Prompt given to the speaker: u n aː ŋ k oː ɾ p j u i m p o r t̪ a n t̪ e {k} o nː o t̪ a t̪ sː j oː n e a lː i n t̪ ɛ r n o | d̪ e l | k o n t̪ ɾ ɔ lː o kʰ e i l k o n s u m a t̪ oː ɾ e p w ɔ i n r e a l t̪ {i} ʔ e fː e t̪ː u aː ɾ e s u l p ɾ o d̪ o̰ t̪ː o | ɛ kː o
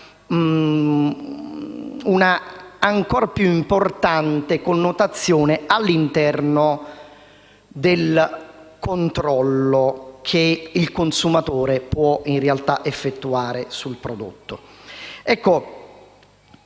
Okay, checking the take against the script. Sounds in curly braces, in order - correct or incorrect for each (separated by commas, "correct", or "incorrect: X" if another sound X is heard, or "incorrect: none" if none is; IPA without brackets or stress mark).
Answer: correct, incorrect: a